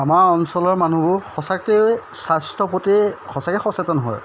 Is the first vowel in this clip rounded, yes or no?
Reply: no